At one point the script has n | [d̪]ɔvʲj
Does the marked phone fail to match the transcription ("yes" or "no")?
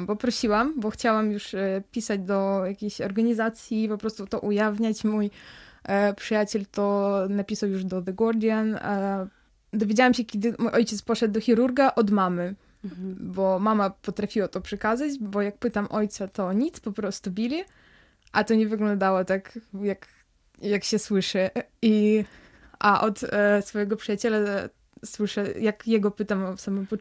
no